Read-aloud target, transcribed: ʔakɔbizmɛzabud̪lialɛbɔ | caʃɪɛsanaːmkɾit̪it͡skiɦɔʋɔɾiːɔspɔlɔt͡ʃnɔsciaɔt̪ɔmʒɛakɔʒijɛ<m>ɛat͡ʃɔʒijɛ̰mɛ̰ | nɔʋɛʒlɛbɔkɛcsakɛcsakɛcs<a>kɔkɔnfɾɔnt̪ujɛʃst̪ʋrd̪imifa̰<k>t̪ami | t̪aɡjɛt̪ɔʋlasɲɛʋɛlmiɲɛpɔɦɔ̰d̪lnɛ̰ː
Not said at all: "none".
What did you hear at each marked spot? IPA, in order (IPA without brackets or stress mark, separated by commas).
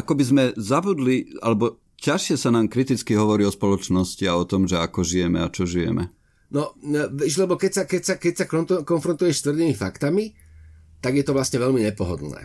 m, a, k